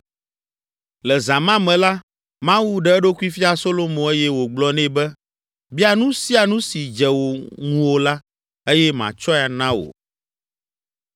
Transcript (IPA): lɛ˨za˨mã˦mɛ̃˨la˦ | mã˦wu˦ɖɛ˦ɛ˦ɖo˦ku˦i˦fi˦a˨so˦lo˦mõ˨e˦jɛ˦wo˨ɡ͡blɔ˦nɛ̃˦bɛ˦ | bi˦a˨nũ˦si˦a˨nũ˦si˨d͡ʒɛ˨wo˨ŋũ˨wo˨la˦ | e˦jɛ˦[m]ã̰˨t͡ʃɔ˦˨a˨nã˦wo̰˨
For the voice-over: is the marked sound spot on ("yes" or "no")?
yes